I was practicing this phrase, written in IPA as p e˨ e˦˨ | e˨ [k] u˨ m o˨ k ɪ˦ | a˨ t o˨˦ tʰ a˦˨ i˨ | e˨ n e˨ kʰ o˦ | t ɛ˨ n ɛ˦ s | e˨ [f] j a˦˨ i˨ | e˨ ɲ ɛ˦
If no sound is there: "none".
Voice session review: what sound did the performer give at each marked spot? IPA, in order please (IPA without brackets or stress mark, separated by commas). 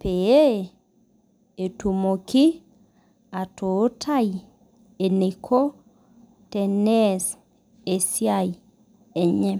t, s